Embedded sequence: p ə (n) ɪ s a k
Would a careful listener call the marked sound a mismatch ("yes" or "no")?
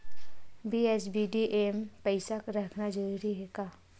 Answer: yes